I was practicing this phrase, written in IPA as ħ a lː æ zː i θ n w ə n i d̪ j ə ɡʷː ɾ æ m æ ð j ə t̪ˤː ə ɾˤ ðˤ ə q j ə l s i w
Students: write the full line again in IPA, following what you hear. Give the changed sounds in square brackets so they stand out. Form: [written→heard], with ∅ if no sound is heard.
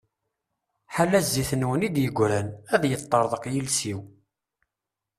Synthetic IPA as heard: ħ a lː æ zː i θ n w ə n i d̪ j ə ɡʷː ɾ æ [m→n] æ ð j ə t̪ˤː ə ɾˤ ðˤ ə q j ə l s i w